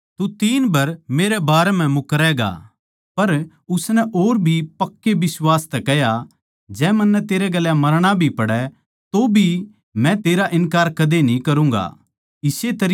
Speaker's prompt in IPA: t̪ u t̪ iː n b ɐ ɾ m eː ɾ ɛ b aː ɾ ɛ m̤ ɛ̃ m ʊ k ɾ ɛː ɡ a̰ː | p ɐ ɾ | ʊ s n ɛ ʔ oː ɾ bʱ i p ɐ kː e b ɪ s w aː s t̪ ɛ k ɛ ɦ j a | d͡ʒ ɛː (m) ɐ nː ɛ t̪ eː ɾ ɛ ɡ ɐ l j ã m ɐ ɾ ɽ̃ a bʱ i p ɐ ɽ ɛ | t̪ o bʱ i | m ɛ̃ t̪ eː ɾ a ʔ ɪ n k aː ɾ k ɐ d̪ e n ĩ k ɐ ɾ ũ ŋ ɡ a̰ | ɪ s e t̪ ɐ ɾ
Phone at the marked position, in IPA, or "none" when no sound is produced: m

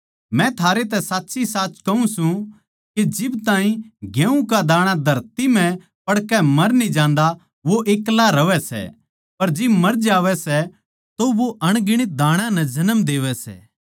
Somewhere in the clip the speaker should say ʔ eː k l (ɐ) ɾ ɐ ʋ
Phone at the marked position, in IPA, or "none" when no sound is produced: a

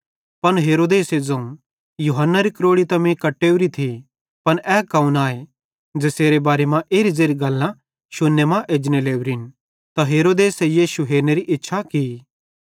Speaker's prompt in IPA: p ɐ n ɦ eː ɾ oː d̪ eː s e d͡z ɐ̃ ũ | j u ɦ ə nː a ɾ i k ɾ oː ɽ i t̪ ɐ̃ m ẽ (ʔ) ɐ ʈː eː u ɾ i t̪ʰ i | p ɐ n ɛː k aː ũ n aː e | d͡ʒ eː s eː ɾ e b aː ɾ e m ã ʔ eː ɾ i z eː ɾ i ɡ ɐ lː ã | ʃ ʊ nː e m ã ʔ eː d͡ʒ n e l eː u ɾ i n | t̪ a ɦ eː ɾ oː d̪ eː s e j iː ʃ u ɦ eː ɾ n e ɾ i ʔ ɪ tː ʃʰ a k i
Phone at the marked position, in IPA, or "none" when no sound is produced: k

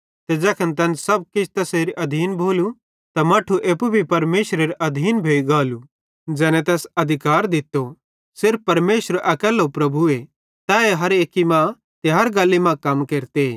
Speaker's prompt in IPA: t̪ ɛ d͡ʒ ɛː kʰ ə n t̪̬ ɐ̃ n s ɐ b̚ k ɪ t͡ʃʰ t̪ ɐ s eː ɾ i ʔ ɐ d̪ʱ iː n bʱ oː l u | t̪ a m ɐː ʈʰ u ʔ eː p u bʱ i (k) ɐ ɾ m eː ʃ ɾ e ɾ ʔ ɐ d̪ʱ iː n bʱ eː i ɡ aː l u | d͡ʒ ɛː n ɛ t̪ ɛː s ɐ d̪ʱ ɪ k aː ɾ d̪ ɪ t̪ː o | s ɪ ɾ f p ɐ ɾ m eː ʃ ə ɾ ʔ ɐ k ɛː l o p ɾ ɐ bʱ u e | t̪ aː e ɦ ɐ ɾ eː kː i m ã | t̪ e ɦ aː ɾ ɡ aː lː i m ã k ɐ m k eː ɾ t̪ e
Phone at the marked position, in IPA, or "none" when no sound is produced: p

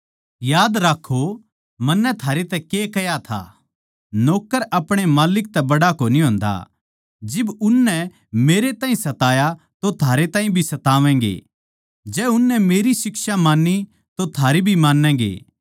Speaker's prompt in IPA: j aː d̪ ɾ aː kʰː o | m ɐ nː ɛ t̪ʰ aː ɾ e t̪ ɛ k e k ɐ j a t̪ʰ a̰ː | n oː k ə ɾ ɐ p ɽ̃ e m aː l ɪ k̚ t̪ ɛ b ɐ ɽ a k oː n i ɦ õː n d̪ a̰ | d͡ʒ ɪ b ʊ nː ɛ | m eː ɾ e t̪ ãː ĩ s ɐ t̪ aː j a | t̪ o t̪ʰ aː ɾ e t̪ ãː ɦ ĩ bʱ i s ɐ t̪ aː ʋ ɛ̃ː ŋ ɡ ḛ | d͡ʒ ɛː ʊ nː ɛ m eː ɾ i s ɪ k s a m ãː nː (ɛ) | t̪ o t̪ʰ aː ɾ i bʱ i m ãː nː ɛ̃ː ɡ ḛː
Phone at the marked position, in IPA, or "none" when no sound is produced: i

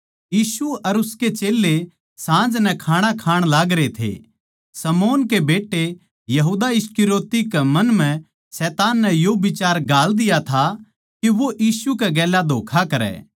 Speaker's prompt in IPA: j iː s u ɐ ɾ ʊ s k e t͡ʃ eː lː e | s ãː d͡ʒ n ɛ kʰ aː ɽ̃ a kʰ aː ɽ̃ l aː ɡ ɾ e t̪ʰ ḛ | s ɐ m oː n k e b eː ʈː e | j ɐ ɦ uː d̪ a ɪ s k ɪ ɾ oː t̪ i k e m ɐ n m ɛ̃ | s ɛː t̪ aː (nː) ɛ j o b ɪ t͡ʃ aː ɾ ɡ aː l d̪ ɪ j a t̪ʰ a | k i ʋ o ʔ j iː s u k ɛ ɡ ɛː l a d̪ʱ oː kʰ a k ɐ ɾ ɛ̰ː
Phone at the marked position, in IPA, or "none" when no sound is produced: nː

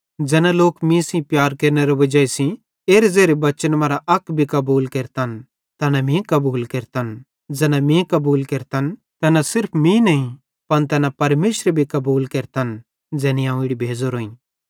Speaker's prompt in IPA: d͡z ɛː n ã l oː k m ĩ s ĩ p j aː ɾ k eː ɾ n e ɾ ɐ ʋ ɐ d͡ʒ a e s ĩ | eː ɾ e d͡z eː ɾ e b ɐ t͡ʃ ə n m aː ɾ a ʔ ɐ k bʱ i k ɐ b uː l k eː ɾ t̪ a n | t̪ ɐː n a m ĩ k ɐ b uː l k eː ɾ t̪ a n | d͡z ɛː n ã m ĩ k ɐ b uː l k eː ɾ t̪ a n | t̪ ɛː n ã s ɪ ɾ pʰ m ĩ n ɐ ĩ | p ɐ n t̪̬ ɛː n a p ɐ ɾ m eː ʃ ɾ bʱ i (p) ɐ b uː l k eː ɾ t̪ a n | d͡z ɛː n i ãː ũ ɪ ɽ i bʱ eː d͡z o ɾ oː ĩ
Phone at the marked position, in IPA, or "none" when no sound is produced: k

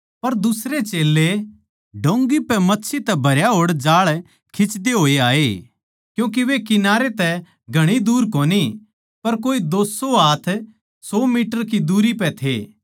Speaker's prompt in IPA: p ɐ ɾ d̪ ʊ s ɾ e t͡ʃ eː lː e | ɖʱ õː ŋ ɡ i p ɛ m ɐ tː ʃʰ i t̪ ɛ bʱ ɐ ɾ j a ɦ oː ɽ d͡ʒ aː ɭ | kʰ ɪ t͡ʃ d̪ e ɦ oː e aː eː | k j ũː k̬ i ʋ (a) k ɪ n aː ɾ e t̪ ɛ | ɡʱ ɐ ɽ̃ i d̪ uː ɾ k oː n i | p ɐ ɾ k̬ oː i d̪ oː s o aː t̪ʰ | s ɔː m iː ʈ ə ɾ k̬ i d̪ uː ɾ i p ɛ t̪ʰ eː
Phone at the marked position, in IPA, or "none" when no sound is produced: e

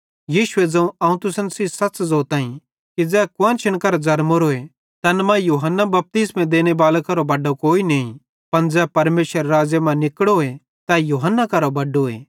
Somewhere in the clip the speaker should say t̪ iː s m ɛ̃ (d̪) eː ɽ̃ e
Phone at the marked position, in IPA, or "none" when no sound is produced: d̪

